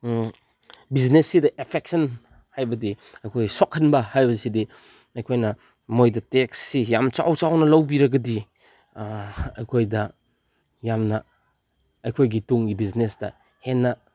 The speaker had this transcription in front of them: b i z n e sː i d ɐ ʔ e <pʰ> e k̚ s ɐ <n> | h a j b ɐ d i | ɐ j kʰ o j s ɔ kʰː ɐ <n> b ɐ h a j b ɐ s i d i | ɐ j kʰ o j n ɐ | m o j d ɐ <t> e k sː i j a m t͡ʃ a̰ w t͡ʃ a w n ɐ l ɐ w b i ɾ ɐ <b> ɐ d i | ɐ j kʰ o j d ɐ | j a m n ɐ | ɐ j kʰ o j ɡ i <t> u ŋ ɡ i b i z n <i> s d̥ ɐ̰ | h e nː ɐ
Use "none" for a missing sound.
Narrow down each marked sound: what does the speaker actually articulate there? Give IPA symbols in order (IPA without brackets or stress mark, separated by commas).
pʰ, n, n, t, ɡ, t, e